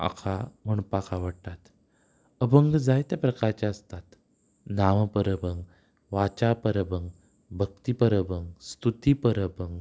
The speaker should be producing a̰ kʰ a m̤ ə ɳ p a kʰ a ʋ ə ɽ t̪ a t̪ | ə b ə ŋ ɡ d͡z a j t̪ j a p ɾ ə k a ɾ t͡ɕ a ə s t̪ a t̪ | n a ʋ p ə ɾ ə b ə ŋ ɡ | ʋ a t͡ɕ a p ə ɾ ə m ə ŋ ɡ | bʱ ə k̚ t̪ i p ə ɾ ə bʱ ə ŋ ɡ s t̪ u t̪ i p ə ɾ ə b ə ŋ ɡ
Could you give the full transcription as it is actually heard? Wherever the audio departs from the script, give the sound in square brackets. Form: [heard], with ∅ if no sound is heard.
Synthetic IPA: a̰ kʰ a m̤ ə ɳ p a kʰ a ʋ ə ɽ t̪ a t̪ | ə b ə ŋ ɡ d͡z a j t̪ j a p ɾ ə k a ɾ t͡ɕ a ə s t̪ a t̪ | n a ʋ p ə ɾ ə b ə ŋ ɡ | ʋ a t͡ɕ a p ə ɾ ə [b] ə ŋ ɡ | bʱ ə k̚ t̪ i p ə ɾ ə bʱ ə ŋ ɡ s t̪ u t̪ i p ə ɾ ə b ə ŋ ɡ